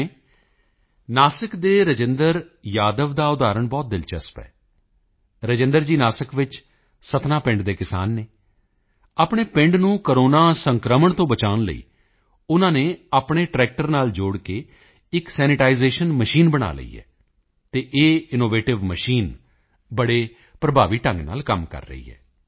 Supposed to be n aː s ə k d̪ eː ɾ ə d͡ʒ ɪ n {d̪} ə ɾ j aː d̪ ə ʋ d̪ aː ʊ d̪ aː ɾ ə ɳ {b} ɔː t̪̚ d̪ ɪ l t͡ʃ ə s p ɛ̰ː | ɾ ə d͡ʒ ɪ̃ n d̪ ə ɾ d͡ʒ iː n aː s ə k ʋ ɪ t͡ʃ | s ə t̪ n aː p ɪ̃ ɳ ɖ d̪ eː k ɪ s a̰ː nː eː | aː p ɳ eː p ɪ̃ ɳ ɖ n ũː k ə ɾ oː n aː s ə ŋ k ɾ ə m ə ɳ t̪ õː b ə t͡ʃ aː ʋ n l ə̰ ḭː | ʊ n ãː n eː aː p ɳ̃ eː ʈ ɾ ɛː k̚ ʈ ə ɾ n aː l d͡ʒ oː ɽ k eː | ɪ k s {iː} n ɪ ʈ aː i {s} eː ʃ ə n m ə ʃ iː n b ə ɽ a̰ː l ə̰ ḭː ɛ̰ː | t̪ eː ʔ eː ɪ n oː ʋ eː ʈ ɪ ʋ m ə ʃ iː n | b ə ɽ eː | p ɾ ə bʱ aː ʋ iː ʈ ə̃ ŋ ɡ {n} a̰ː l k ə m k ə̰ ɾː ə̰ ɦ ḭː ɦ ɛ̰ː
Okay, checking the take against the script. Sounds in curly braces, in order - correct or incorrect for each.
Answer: correct, correct, incorrect: ɛː, incorrect: z, correct

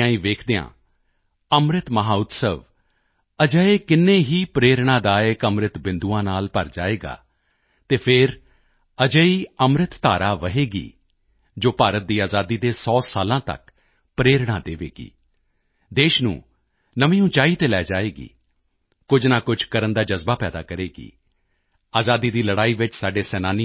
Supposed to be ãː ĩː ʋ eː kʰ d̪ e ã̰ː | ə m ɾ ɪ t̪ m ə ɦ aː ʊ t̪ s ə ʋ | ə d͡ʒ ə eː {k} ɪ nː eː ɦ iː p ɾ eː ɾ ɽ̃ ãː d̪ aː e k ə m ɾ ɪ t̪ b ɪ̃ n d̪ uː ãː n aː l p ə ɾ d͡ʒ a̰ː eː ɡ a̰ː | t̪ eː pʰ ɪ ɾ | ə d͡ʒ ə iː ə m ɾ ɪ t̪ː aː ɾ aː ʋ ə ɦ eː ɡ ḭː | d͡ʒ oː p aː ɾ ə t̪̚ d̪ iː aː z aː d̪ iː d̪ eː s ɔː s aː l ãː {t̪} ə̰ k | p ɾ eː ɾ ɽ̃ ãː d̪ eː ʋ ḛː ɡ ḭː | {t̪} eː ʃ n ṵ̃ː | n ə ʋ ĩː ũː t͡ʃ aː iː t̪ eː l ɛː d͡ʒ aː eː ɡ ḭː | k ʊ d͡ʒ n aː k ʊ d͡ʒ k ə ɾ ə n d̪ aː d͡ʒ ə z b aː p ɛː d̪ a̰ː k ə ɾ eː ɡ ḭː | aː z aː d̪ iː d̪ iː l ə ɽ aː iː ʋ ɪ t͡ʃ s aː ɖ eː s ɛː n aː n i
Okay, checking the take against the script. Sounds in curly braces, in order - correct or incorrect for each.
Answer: correct, correct, incorrect: d̪

